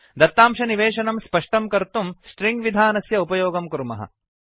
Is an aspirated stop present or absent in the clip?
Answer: absent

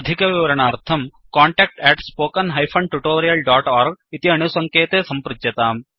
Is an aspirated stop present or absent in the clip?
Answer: present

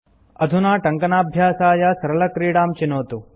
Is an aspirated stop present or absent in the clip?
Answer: absent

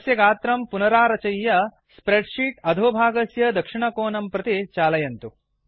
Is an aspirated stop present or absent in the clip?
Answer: absent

